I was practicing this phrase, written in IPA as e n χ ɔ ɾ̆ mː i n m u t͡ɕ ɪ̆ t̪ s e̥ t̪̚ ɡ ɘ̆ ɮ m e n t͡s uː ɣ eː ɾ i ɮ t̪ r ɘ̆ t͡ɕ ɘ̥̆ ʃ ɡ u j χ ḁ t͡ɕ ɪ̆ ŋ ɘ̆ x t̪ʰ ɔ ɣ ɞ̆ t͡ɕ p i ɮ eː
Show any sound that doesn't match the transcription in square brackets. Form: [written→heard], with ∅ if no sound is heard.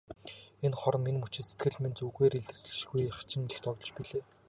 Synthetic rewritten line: e n χ ɔ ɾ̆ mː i n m u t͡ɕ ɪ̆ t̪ s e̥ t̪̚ ɡ ɘ̆ ɮ m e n t͡s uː ɣ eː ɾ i ɮ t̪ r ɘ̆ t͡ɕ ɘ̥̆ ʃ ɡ u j χ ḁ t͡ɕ ɪ̆ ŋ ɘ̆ x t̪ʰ ɔ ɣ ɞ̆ t͡ɕ p i ɮ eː

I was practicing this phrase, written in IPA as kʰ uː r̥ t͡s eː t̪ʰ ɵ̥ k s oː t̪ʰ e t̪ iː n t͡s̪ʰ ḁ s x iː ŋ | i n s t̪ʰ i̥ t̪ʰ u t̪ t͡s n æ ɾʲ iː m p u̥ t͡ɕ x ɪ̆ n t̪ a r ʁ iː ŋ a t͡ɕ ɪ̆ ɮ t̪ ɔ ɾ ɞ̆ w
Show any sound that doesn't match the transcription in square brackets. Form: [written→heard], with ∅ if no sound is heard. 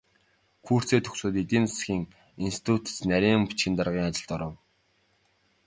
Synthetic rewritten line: kʰ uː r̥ t͡s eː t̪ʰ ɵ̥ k s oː [t̪ʰ→t̪] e t̪ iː n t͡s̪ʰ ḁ s x iː ŋ | i n s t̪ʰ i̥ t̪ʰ u t̪ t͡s n æ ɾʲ iː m p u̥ t͡ɕ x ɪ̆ n t̪ a r ʁ iː ŋ a t͡ɕ ɪ̆ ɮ t̪ ɔ ɾ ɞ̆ w

